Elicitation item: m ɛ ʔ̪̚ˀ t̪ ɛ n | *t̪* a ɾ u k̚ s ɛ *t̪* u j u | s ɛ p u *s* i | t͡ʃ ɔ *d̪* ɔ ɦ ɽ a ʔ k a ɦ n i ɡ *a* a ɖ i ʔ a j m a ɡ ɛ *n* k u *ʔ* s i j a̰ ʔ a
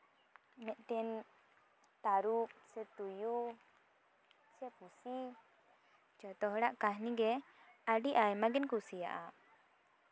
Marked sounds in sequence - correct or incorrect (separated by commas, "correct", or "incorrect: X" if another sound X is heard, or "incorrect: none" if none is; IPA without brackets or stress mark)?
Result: correct, correct, correct, incorrect: t̪, incorrect: ɛ, correct, incorrect: none